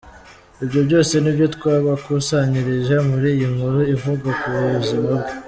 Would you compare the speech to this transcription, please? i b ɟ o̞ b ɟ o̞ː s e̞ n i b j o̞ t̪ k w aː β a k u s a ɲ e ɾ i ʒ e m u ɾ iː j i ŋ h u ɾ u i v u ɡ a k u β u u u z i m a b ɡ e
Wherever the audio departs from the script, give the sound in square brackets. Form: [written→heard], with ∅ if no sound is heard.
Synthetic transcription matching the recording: i b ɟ o̞ b ɟ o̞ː s e̞ n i b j o̞ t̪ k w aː β a k u s a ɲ [e→i] ɾ i ʒ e m u ɾ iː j i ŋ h u ɾ u i v u ɡ a k u β u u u z i m a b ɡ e